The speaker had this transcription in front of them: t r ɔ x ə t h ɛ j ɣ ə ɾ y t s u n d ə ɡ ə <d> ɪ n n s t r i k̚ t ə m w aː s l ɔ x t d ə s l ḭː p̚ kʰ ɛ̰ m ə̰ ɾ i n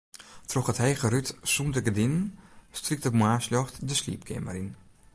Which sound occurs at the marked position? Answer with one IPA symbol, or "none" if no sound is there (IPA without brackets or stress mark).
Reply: d